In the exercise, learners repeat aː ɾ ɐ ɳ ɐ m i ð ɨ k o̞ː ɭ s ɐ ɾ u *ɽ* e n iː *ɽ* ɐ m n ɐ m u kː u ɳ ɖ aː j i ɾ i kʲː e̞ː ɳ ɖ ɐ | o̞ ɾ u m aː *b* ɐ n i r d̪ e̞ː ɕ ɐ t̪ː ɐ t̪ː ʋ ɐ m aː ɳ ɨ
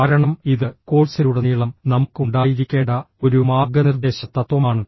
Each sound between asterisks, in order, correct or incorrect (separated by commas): correct, incorrect, incorrect